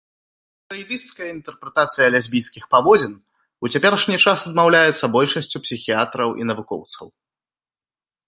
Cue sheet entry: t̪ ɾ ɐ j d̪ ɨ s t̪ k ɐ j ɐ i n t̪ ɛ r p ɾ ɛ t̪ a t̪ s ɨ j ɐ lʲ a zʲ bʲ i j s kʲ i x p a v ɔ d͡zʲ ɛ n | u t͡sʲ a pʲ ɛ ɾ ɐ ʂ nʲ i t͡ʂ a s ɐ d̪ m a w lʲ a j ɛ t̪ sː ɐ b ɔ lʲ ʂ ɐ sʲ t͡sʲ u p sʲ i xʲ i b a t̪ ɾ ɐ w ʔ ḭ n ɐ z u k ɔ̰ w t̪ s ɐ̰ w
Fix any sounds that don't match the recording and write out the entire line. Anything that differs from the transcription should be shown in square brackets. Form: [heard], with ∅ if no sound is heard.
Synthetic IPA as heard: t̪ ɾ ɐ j d̪ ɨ s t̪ k ɐ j ɐ i n t̪ ɛ r p ɾ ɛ t̪ a t̪ s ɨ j ɐ lʲ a zʲ bʲ i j s kʲ i x p a v ɔ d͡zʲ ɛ n | u t͡sʲ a pʲ ɛ ɾ ɐ ʂ nʲ i t͡ʂ a s ɐ d̪ m a w lʲ a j ɛ t̪ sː ɐ b ɔ lʲ ʂ ɐ sʲ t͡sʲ u p sʲ i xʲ i [∅] a t̪ ɾ ɐ w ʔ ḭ n ɐ [v] u k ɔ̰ w t̪ s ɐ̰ w